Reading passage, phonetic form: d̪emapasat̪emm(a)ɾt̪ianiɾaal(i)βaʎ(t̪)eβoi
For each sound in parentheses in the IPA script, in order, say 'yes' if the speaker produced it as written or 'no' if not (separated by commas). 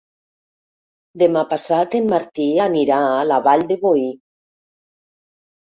yes, no, no